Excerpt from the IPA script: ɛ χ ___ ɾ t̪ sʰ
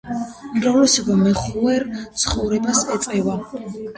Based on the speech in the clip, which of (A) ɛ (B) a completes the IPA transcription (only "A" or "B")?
A